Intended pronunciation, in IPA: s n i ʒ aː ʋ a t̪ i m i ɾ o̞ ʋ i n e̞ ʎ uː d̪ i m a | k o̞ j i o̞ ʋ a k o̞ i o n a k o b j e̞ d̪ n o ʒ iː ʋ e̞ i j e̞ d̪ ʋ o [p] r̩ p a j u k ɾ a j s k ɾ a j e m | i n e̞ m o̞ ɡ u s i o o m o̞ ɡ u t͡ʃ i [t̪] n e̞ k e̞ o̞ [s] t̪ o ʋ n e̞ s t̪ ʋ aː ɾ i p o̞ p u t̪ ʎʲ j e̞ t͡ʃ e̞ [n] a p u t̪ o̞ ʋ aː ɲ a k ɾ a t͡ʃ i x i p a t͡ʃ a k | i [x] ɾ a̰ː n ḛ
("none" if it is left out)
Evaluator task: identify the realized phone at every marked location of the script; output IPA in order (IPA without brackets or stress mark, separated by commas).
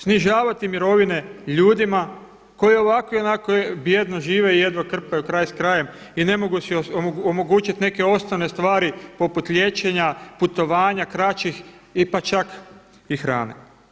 k, t̪, s, ɲ, x